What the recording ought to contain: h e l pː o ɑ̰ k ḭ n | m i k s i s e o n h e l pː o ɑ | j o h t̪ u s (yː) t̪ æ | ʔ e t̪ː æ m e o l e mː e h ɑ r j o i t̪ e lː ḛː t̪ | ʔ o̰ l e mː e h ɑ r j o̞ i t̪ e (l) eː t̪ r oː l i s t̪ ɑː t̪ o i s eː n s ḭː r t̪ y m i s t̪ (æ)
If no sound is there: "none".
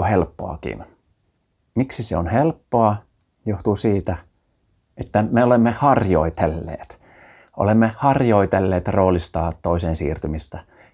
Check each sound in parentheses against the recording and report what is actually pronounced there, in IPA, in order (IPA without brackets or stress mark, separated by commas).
iː, lː, æ